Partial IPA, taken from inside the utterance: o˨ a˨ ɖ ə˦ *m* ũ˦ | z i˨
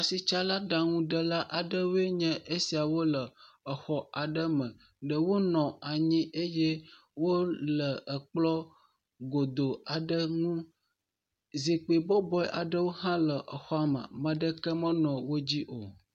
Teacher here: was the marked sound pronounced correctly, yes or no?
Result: no